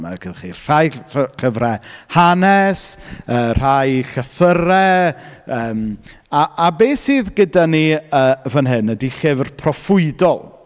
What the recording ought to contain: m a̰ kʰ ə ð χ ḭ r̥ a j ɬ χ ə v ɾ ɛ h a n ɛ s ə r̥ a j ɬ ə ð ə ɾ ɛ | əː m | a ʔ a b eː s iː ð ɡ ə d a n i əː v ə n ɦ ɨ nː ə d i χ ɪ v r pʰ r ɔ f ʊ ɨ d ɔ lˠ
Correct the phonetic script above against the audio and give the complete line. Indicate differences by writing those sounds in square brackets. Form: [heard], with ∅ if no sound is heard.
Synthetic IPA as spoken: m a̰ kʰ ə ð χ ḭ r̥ a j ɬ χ ə v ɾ ɛ h a n ɛ s ə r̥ a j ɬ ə [θ] ə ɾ ɛ | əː m | a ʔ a b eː s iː ð ɡ ə d a n i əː v ə n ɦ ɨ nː ə d i χ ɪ v r pʰ r ɔ f ʊ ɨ d ɔ lˠ